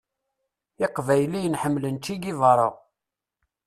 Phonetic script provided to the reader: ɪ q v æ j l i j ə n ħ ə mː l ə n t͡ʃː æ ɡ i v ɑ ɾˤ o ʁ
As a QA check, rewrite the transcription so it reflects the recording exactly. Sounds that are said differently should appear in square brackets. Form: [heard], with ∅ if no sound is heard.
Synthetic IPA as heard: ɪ q v æ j l i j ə n ħ ə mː l ə n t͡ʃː [i] ɡ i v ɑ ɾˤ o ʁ